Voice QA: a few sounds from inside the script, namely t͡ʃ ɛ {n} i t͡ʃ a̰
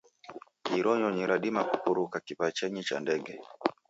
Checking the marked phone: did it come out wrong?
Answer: yes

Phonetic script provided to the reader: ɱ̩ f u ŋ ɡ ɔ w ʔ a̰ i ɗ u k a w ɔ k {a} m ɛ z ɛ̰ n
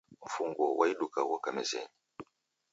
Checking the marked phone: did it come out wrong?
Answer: no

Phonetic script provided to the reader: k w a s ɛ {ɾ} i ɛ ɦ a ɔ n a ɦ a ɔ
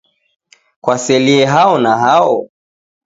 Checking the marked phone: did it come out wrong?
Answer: yes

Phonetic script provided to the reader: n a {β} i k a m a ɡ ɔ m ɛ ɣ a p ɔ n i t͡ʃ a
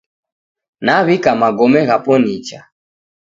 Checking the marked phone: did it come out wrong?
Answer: no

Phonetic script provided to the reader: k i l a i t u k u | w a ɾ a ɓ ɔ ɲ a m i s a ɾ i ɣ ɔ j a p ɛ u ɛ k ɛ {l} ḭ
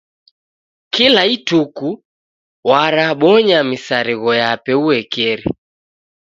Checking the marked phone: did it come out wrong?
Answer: yes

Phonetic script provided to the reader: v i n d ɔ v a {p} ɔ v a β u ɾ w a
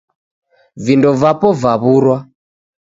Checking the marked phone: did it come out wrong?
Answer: no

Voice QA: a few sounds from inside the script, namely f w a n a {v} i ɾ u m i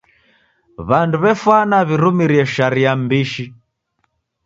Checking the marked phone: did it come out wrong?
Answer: yes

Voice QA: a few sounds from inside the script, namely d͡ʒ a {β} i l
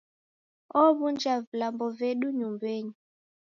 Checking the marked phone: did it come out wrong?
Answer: yes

